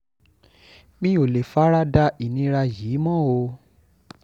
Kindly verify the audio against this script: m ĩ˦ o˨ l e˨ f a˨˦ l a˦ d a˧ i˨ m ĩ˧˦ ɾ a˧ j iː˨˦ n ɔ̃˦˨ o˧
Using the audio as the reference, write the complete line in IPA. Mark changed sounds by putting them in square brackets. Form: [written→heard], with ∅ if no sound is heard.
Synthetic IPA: m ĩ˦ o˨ l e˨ f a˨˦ [l→ɾ] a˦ d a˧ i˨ [m→n] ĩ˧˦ ɾ a˧ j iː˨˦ [n→m] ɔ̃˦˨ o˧